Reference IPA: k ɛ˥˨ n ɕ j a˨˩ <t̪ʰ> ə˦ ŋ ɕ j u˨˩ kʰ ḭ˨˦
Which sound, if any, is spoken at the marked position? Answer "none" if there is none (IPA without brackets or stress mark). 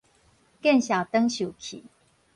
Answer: t̪